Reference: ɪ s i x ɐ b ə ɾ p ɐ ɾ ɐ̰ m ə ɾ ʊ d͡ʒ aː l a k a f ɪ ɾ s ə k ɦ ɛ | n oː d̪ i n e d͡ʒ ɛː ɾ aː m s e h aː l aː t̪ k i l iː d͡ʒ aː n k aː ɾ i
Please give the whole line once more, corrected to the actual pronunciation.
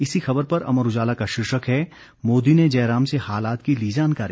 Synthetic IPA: ɪ s i x ɐ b ə ɾ p ɐ ɾ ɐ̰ m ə ɾ ʊ d͡ʒ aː l a k a ʃ ɪ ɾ ʃ ə k ɦ ɛ | m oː d̪ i n e d͡ʒ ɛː ɾ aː m s e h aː l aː t̪ k i l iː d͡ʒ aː n k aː ɾ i